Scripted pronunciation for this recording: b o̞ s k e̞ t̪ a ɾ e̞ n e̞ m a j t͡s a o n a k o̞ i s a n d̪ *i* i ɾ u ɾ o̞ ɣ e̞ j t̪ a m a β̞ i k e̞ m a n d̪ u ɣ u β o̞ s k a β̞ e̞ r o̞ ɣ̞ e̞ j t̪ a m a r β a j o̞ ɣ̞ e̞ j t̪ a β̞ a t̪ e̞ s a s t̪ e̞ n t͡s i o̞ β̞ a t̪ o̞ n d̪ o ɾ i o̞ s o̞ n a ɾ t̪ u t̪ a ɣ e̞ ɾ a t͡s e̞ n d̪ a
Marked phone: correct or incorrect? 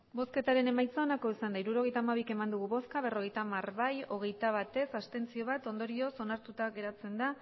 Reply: incorrect